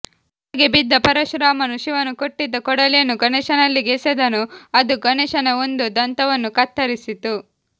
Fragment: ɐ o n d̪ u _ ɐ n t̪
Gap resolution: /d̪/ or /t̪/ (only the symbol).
d̪